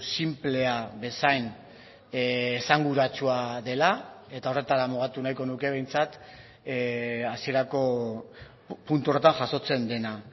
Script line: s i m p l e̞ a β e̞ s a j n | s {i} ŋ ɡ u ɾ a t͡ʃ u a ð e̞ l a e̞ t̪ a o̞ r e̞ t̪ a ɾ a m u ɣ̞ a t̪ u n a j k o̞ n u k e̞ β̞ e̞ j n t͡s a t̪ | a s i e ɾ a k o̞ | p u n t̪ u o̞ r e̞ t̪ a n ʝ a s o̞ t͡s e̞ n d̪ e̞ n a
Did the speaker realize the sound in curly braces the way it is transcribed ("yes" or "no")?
no